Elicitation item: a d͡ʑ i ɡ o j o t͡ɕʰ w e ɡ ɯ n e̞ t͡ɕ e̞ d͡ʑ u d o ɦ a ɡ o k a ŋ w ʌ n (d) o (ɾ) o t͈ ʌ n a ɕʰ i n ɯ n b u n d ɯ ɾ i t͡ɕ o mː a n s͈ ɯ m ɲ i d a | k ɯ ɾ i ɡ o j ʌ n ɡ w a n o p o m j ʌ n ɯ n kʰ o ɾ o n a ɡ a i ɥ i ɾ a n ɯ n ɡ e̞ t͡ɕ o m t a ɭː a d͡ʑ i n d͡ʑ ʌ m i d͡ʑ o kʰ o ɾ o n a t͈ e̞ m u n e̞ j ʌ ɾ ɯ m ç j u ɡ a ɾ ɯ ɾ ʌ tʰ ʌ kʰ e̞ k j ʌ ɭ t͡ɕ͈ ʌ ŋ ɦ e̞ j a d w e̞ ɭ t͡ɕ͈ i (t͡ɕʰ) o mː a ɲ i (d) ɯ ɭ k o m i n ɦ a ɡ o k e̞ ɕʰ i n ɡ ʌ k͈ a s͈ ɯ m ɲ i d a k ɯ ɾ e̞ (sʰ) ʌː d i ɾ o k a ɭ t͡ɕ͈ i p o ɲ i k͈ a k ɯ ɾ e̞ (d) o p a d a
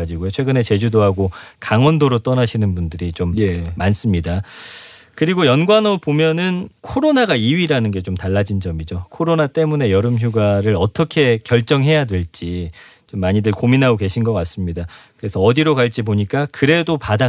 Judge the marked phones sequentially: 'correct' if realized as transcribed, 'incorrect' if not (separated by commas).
correct, correct, incorrect, correct, correct, correct